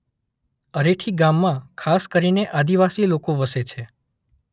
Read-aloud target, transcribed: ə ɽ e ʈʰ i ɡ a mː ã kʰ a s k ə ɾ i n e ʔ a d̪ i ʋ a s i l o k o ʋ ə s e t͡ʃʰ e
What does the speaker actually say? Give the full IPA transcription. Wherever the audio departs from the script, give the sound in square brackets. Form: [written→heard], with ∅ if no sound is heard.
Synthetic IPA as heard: ə [ɽ→ɾ] e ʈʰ i ɡ a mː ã kʰ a s k ə ɾ i n e ʔ a d̪ i ʋ a s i l o k o ʋ ə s e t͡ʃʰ e